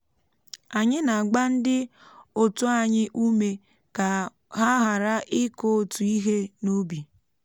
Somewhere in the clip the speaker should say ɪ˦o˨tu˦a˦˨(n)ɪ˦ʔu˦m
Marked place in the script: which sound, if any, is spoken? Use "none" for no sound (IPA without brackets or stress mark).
ɲ